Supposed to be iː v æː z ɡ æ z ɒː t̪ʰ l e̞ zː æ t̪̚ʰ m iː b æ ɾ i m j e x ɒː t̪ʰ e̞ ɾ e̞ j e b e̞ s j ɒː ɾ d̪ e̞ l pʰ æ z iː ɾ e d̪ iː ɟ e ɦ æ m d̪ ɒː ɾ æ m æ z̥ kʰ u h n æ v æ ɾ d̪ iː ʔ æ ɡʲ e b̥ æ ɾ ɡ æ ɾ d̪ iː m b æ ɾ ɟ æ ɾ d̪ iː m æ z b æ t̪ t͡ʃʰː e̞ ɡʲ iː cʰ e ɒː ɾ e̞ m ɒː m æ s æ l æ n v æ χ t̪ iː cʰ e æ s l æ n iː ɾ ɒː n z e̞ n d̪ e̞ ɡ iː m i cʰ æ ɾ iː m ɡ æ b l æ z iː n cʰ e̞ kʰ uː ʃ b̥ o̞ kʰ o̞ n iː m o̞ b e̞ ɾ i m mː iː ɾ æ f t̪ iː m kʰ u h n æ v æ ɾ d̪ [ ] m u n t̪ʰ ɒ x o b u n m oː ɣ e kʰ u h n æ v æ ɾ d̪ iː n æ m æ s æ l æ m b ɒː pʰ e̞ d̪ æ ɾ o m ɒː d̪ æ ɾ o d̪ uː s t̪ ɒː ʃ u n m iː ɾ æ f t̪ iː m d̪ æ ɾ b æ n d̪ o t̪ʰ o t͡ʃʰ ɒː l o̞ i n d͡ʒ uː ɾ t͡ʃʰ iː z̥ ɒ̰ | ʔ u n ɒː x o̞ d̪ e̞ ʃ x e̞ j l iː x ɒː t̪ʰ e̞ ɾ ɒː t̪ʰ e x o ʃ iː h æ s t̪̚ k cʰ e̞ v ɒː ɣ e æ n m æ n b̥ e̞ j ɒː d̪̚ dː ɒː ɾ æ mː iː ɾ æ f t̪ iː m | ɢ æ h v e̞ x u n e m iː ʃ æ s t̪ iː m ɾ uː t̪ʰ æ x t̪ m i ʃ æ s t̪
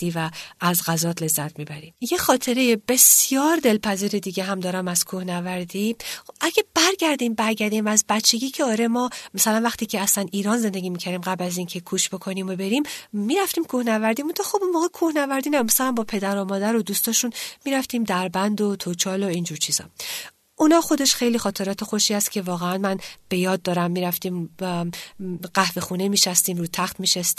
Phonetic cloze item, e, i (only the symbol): i